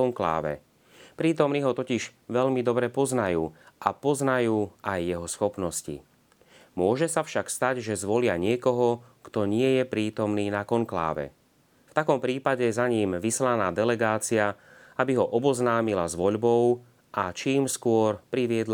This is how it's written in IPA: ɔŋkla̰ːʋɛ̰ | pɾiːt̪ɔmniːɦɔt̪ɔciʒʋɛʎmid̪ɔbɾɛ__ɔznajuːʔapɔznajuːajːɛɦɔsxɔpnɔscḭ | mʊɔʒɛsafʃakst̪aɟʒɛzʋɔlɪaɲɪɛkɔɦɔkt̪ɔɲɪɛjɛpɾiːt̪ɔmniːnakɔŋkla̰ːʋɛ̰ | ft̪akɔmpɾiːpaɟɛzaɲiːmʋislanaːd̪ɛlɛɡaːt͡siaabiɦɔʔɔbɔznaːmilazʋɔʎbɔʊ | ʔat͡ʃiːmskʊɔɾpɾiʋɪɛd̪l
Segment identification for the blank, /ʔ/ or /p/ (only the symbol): p